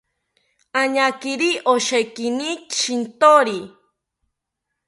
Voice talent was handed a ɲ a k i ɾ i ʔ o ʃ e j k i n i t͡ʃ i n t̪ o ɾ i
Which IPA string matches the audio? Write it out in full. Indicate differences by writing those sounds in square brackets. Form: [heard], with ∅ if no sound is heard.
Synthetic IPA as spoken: a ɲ a k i ɾ i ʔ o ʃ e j k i n i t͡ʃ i n t̪ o ɾ i